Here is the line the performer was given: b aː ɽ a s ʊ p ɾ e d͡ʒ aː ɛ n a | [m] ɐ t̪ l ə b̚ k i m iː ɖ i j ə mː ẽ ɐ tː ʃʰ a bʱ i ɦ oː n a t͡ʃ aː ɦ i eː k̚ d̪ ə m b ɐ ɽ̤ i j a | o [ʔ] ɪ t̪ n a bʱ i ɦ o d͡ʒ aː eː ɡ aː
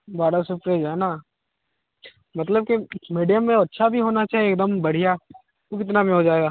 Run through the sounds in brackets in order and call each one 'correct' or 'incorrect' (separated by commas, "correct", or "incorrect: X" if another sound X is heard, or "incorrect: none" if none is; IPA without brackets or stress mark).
correct, incorrect: k